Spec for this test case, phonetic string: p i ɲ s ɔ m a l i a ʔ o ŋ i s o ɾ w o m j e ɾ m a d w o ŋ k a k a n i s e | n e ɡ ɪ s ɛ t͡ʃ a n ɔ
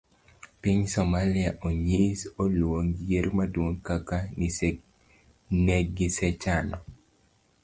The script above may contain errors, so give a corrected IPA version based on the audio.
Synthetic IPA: p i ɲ s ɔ m a l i a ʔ o ɲ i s o l w o ŋ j e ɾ m a d w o ŋ k a k a n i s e | n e ɡ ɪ s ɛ t͡ʃ a n ɔ

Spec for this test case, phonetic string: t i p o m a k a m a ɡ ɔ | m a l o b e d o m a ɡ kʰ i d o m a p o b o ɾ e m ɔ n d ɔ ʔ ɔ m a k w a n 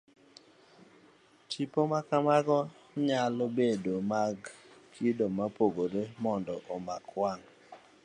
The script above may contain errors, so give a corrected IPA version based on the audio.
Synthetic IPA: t i p o m a k a m a ɡ ɔ | ɲ a l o b e d o m a ɡ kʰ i d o m a p o ɡ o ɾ e m ɔ n d ɔ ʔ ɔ m a k w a ŋ

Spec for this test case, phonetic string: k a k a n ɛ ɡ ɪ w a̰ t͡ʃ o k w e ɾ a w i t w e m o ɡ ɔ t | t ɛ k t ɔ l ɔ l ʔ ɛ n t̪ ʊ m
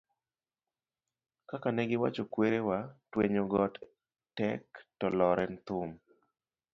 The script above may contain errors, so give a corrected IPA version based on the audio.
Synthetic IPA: k a k a n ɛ ɡ ɪ w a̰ t͡ʃ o k w e ɾ e w a t w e ɲ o ɡ ɔ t | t ɛ k t ɔ l ɔ ɾ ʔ ɛ n t̪ ʊ m

